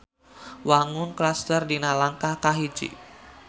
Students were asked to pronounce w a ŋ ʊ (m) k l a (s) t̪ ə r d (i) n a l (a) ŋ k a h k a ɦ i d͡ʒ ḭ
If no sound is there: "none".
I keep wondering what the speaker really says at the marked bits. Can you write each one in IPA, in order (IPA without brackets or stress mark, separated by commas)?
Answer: n, s, i, a